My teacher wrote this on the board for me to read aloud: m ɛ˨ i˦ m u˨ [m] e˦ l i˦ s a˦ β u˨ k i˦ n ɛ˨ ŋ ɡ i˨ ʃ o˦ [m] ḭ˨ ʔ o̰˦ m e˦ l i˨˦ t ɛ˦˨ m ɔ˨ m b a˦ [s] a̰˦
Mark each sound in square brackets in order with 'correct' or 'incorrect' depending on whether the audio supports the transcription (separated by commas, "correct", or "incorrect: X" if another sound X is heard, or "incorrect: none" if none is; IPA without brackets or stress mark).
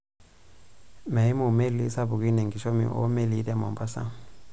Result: correct, correct, correct